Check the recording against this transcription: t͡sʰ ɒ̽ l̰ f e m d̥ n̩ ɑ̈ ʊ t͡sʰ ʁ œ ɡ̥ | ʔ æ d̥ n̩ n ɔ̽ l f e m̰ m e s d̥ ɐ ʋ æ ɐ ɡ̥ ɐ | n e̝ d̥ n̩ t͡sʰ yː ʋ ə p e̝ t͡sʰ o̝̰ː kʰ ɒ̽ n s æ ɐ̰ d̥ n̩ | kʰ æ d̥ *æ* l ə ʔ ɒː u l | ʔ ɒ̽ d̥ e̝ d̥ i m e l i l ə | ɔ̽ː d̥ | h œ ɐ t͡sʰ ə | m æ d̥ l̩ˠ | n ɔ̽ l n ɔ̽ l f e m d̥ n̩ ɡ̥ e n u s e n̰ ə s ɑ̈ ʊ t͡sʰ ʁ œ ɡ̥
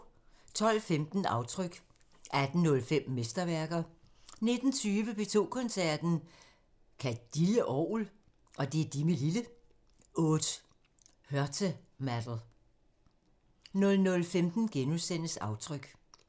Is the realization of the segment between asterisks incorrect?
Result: yes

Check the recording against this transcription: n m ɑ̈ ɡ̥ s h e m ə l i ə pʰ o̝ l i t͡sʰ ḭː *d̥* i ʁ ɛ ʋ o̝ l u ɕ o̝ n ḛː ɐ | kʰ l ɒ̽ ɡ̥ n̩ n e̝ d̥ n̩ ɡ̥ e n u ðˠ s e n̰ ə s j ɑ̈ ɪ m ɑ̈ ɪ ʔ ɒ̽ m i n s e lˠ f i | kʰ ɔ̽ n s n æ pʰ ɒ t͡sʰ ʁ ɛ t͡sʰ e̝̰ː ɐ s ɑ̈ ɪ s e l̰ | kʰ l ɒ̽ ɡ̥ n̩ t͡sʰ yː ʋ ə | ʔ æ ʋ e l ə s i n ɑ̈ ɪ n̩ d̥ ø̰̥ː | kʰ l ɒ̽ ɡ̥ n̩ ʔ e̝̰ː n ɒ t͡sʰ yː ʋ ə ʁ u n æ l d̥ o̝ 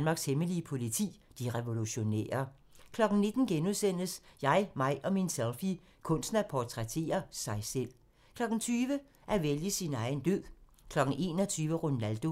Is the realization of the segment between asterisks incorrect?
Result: no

